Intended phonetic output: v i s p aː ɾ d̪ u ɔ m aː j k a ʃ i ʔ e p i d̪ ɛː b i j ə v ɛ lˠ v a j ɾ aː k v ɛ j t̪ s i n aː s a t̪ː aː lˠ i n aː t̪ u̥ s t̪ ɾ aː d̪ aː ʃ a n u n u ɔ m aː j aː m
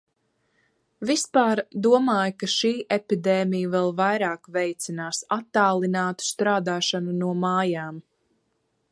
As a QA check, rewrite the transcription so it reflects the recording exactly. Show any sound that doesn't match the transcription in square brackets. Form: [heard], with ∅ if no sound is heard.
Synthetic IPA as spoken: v i s p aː ɾ d̪ u ɔ m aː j k a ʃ [iː] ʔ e p i d̪ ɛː [m] i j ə v ɛ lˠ v a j ɾ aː k v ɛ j t̪ s i n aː s a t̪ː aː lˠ i n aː t̪ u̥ s t̪ ɾ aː d̪ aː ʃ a n u n u ɔ m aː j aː m